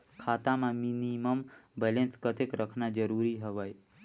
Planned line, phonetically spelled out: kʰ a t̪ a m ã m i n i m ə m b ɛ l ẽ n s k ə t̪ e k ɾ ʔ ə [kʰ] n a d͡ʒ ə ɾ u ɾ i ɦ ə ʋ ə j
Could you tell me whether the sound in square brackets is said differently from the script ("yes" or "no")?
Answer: no